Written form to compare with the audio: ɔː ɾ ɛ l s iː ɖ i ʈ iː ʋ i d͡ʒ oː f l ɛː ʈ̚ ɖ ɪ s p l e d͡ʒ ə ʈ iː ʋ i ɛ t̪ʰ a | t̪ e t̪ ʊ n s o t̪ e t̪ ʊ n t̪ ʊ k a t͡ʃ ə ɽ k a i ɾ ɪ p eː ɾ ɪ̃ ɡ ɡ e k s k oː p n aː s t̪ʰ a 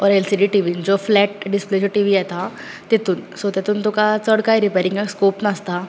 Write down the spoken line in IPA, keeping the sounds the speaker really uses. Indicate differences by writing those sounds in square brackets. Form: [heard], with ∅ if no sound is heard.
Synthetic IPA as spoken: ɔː ɾ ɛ l s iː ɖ i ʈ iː ʋ i d͡ʒ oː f l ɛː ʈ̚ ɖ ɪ s p l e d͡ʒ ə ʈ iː ʋ i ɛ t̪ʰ a | t̪ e t̪ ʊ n s o t̪ e t̪ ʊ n t̪ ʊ k a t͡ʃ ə ɽ k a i ɾ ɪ p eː ɾ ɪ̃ [ŋ] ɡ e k s k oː p n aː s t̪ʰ a